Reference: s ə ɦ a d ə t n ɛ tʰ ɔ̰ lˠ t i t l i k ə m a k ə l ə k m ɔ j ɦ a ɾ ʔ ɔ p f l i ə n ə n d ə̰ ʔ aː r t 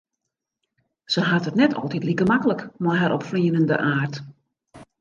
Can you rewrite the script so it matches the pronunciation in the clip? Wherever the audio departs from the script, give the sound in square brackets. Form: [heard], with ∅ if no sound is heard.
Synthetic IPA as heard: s ə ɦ a [t] ə t n ɛ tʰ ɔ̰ lˠ t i t l i k ə m a k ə l ə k m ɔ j ɦ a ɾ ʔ ɔ p f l i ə n ə n d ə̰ ʔ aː r t

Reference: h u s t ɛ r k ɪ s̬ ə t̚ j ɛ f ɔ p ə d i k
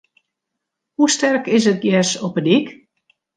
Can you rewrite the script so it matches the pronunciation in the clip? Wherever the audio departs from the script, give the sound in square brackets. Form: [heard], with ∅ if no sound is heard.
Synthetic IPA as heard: h u s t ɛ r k ɪ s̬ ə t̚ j ɛ [s] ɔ p ə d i k

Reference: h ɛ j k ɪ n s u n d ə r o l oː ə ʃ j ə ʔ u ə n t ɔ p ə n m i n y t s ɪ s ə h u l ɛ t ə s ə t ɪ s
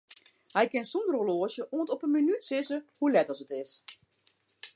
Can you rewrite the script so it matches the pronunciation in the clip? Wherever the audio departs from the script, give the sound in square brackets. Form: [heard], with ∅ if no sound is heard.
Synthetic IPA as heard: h ɛ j k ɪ n s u n d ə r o l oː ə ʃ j ə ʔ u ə n t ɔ p ə n m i n y t s ɪ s ə h u l ɛ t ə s ə t ɪ s

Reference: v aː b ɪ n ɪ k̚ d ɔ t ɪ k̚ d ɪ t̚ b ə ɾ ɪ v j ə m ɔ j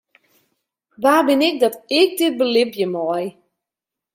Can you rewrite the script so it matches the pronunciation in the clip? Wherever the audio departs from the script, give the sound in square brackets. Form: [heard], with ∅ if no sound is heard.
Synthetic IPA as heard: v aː b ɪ n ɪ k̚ d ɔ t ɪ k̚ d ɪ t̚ b ə [l] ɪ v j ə m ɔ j

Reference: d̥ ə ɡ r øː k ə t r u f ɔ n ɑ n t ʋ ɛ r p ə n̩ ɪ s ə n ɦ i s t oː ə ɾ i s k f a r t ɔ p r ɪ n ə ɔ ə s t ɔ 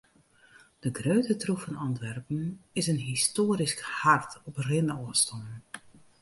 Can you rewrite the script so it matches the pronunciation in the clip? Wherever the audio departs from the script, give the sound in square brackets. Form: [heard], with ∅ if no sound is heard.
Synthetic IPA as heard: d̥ ə ɡ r øː [t] ə t r u f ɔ n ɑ n t ʋ ɛ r p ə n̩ ɪ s ə n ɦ i s t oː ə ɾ i s k [h] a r t ɔ p r ɪ n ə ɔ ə s t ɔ

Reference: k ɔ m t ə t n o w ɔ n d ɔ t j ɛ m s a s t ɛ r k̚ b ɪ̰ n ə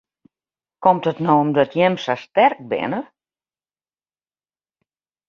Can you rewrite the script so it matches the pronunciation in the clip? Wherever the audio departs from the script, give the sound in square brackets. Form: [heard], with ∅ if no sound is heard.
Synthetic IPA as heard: k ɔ m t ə t n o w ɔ [m] d ɔ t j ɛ m s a s t ɛ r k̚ b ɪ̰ n ə

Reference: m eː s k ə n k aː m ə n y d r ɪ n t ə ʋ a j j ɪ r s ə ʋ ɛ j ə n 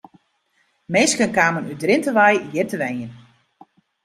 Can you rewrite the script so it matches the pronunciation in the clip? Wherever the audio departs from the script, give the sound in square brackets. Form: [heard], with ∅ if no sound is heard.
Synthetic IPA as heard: m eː s k ə n k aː m ə n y d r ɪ n t ə ʋ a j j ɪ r [t] ə ʋ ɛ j ə n

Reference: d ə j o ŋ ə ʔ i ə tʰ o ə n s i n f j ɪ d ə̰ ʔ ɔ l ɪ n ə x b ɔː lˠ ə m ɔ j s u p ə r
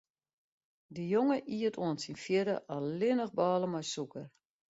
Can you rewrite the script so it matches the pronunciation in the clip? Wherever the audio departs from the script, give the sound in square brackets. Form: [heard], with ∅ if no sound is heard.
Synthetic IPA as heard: d ə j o ŋ ə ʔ i ə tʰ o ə n s i n f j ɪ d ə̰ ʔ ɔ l ɪ n ə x b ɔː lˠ ə m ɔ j s u [k] ə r

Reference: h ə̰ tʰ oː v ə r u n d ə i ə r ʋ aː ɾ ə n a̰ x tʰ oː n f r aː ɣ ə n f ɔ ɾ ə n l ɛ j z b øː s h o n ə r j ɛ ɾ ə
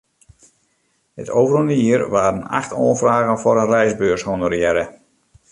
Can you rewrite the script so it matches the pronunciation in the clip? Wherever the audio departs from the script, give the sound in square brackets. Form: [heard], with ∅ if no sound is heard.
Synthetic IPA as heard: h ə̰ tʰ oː v ə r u n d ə i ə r ʋ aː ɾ ə n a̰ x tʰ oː n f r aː ɣ ə n f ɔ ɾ ə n [r] ɛ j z b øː s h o n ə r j ɛ ɾ ə

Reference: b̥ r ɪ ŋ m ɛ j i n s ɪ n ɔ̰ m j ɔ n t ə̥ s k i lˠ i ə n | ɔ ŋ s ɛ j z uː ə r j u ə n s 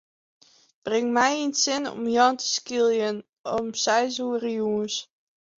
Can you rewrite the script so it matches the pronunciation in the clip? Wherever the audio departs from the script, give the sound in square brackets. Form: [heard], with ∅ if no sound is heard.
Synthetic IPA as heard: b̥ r ɪ ŋ m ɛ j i n s ɪ n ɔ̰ m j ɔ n t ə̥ s k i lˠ [j] ə n | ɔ [m] s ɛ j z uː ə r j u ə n s

